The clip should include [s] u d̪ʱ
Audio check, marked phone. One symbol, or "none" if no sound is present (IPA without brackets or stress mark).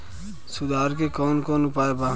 s